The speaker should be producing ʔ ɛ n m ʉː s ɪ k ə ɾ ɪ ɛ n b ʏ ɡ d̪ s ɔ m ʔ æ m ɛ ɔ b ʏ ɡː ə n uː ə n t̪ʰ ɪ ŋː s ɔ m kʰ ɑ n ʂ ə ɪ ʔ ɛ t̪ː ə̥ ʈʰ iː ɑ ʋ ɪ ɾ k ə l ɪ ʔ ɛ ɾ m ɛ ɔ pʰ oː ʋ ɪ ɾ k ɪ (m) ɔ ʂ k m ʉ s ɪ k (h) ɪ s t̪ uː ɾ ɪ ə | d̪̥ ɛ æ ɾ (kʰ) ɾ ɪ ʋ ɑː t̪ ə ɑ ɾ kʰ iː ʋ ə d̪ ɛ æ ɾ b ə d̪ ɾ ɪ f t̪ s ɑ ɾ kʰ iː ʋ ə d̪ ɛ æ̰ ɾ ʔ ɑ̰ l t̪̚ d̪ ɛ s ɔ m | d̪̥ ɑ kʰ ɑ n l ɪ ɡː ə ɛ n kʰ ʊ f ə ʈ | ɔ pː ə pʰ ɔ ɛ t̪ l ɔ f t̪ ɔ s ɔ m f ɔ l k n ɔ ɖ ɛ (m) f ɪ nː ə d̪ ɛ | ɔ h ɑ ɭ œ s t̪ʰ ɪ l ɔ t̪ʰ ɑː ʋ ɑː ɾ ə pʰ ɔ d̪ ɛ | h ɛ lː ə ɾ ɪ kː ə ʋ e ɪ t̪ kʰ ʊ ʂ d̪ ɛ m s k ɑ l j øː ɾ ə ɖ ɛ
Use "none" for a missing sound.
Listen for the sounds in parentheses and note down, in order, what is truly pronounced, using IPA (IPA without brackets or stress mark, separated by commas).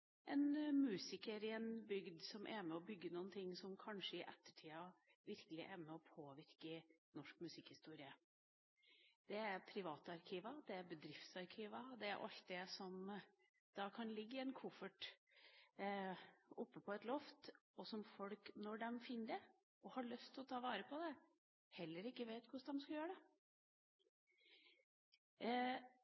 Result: n, h, pʰ, m